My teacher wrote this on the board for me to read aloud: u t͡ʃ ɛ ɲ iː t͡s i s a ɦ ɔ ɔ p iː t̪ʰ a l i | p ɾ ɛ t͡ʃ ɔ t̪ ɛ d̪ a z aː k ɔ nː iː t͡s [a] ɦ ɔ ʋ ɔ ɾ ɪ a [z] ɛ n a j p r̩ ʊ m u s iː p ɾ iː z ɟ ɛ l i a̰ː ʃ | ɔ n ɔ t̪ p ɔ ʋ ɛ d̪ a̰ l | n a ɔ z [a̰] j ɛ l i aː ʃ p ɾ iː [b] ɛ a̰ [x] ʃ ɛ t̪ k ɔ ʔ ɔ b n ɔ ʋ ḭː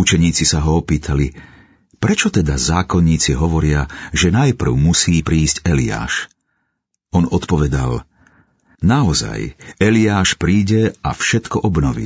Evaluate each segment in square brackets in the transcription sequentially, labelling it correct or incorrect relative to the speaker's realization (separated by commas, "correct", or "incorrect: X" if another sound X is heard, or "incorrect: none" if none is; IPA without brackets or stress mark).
incorrect: i, incorrect: ʒ, correct, incorrect: ɟ, incorrect: f